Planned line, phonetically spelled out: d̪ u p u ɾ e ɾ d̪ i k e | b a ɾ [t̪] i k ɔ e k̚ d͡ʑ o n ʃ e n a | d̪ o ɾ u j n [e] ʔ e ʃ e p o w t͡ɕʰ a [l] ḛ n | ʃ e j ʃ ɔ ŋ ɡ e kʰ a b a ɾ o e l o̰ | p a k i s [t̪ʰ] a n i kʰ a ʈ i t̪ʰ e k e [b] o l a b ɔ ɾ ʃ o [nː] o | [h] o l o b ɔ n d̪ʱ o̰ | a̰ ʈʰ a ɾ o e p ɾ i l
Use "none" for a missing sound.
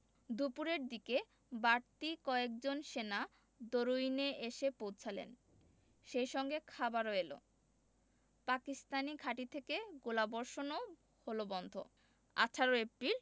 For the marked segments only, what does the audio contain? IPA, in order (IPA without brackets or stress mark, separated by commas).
t̪, e, l, t̪, ɡ, n, h